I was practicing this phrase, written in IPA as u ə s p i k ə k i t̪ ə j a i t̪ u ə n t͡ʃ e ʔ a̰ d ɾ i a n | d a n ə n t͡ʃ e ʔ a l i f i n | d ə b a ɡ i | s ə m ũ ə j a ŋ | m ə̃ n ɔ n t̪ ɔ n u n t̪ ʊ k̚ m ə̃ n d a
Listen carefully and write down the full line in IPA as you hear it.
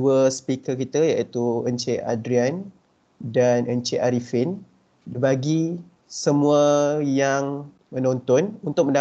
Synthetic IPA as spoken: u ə s p i k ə k i t̪ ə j a i t̪ u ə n t͡ʃ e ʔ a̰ d ɾ i a n | d a n ə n t͡ʃ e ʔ a ɾ i f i n | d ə b a ɡ i | s ə m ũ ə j a ŋ | m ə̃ n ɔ n t̪ ɔ n u n t̪ ʊ k̚ m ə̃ n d a